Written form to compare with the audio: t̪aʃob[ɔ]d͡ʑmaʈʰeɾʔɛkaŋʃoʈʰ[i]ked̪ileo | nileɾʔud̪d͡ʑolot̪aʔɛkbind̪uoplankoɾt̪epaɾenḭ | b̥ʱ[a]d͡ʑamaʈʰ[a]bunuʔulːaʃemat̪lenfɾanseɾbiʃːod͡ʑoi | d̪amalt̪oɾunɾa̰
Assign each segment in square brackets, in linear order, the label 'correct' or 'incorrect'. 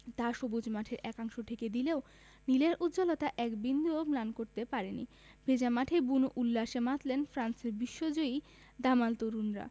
incorrect: u, incorrect: e, incorrect: e, incorrect: e

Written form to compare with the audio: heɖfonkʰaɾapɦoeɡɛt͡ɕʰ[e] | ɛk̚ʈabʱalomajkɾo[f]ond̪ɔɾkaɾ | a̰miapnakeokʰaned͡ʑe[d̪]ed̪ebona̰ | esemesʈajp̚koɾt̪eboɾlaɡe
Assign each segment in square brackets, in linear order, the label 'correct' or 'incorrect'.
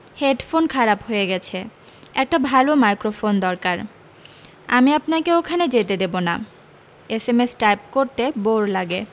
correct, correct, incorrect: t̪

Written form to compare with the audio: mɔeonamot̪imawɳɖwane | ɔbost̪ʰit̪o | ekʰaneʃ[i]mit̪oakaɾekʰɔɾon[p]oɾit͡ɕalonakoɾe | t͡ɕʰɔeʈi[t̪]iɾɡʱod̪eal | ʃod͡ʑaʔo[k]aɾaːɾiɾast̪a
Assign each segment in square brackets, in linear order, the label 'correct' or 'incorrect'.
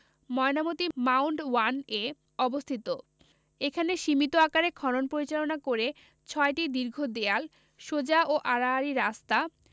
correct, correct, incorrect: d̪, incorrect: ʔ

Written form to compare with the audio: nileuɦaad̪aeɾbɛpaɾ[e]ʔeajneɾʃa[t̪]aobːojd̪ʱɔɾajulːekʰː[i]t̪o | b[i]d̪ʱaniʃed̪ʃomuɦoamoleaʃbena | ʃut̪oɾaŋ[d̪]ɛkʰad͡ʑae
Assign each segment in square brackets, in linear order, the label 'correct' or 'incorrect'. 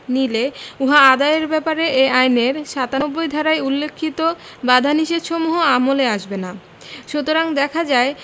correct, correct, correct, incorrect: a, correct

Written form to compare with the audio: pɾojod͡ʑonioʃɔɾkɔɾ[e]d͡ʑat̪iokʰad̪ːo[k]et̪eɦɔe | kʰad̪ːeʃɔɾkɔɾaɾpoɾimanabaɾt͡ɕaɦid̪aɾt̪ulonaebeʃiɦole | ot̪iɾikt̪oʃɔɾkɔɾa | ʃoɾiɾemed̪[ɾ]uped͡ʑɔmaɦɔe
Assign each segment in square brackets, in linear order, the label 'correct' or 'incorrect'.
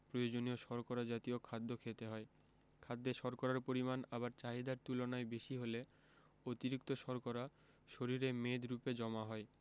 incorrect: a, incorrect: kʰ, correct

